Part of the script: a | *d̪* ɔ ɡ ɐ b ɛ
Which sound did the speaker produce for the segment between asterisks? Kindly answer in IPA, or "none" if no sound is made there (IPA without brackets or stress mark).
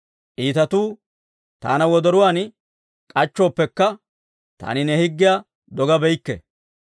d̪